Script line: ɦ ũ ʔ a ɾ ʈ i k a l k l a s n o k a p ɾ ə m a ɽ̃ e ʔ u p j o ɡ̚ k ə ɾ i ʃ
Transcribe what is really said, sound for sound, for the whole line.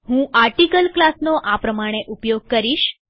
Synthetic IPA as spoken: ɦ ũ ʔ a ɾ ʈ i k ə l k l a s n o ʔ a p ɾ ə m a ɽ̃ e ʔ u p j o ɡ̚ k ə ɾ i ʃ